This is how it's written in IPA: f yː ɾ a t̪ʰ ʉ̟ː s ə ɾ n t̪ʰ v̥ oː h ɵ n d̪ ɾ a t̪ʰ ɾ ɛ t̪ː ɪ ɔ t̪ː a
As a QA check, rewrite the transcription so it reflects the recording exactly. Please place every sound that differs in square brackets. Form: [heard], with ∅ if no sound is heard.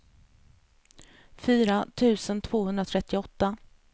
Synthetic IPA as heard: f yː ɾ a t̪ʰ ʉ̟ː s ə [∅] n t̪ʰ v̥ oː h ɵ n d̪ ɾ a t̪ʰ ɾ ɛ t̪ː ɪ ɔ t̪ː a